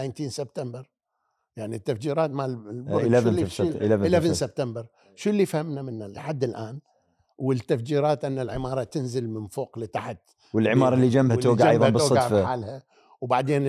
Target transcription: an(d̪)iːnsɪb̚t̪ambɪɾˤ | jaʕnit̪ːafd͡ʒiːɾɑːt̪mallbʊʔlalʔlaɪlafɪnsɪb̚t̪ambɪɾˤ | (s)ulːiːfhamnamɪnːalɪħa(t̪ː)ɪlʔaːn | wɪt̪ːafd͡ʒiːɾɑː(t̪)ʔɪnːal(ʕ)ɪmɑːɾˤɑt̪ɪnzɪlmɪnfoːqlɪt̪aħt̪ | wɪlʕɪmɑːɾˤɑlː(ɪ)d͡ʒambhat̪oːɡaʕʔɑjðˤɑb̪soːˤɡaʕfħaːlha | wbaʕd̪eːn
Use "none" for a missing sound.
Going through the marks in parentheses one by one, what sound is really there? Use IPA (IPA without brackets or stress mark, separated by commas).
t̪, ʃ, d̪ː, t̪, ʕ, i